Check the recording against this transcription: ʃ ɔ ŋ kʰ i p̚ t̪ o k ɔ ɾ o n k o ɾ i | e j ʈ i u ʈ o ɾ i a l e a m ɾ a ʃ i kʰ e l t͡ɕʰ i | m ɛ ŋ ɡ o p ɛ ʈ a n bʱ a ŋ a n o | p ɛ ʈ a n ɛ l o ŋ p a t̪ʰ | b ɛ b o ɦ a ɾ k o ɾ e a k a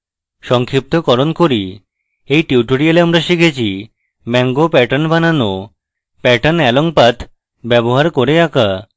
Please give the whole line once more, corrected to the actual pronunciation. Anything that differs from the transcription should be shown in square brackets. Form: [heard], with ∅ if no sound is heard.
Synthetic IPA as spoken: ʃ ɔ ŋ kʰ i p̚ t̪ o k ɔ ɾ o n k o ɾ i | e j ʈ i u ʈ o ɾ i a l e a m ɾ a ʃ i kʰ e [∅] t͡ɕʰ i | m ɛ ŋ ɡ o p ɛ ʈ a n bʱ a [n] a n o | p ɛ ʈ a n ɛ l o ŋ p a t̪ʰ | b ɛ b o ɦ a ɾ k o ɾ e a k a

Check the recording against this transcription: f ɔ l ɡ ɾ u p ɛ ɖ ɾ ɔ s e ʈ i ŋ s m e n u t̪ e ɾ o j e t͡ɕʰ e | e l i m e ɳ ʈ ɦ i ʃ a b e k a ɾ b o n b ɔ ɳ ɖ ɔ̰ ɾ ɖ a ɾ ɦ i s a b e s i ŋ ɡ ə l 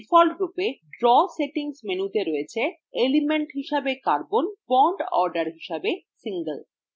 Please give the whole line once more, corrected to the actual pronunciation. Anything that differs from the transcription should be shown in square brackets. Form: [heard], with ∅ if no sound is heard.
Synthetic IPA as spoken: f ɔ l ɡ ɾ u p [e] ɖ ɾ ɔ s e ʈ i ŋ s m e n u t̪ e ɾ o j e t͡ɕʰ e | e l i m e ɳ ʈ ɦ i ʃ a b e k a ɾ b o n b ɔ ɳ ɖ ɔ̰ ɾ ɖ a ɾ ɦ i [ʃ] a b e s i ŋ ɡ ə l

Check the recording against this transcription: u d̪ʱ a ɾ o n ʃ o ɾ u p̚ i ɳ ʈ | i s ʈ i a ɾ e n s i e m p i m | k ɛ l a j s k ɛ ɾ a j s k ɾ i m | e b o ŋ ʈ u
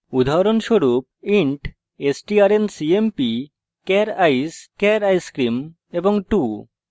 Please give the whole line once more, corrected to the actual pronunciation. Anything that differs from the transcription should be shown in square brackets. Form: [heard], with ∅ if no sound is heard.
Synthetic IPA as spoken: u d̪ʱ a ɾ o n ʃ o ɾ u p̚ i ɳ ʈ | [e] s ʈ i a ɾ e n s i e m p i [∅] | k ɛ [ɾ] a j s k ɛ ɾ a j s k ɾ i m | e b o ŋ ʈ u

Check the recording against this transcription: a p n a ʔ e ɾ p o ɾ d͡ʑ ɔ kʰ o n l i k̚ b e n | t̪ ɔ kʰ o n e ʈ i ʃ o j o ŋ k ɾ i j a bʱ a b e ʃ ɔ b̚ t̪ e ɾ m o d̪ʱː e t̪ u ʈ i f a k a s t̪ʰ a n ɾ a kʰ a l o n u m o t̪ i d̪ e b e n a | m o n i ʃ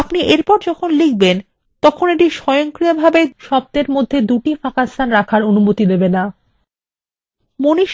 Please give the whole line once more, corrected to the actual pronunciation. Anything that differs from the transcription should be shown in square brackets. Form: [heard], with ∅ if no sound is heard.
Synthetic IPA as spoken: a p n [i] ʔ e ɾ p [ɔ] ɾ d͡ʑ ɔ kʰ o n l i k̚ b e n | t̪ ɔ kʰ o n e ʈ i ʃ [ɔ] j o ŋ k ɾ i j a bʱ a b e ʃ ɔ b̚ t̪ e ɾ m o d̪ʱː e [d̪] u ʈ i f a k a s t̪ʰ a n ɾ a kʰ a [ɾ] o n u m o t̪ i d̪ e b e n a | m o n i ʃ

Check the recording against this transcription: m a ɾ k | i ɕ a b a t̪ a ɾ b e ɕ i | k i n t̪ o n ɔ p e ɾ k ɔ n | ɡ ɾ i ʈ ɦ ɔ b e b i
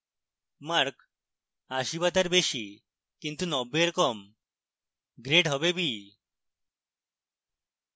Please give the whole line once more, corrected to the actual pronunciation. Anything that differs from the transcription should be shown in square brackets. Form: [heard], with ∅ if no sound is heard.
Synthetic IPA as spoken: m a ɾ k | [a] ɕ [i] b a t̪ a ɾ b e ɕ i | k i n t̪ [u] n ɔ [b] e ɾ k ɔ [m] | ɡ ɾ [e] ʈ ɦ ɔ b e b i

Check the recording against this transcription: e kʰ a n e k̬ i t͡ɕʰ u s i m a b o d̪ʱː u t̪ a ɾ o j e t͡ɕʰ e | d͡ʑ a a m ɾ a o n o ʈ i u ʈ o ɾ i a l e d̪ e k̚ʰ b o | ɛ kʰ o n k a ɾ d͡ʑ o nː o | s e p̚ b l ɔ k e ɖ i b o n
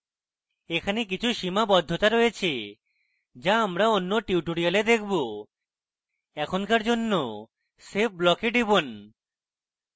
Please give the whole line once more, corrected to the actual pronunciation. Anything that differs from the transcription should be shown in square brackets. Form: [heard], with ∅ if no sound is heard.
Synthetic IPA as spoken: e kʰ a n e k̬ i t͡ɕʰ u [ʃ] i m a b [ɔ] d̪ʱː [o] t̪ a ɾ o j e t͡ɕʰ e | d͡ʑ a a m ɾ a o [nː] o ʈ i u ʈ o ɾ i a l e d̪ e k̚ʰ b o | ɛ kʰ o n k a ɾ d͡ʑ o nː o | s e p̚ b l ɔ k e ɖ i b o n

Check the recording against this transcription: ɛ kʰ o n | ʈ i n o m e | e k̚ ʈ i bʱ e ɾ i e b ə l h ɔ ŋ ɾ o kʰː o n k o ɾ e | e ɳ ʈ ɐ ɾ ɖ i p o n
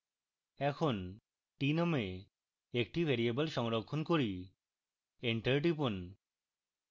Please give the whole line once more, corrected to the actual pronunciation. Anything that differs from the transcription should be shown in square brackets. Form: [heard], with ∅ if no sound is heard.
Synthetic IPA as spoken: ɛ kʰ o n | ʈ i n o m e | e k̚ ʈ i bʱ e ɾ i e b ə l [ʃ] ɔ ŋ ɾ o kʰː o n k o ɾ [i] | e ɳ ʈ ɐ ɾ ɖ i p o n

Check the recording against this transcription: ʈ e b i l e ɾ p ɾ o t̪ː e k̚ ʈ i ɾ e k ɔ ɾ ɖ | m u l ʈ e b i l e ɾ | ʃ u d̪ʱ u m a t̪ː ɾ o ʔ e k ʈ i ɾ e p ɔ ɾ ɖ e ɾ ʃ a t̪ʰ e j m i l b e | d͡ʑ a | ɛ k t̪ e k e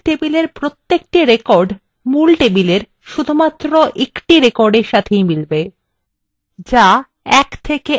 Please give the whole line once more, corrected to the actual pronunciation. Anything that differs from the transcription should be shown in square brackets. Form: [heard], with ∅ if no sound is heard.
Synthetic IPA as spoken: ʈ e b i l e ɾ p ɾ o t̪ː e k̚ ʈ i ɾ e k ɔ ɾ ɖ | m u l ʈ e b i l e ɾ | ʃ u d̪ʱ u m a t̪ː ɾ o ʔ e k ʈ i ɾ e [k] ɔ ɾ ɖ e ɾ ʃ a t̪ʰ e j m i l b e | d͡ʑ a | ɛ k [t̪ʰ] e k e

